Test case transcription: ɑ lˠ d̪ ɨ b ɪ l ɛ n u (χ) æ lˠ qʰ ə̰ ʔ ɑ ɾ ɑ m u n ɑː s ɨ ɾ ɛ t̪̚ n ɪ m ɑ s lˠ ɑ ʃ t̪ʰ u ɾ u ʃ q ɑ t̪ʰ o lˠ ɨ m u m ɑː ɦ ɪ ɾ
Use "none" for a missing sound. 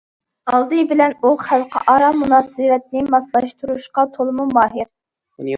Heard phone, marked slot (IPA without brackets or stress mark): χ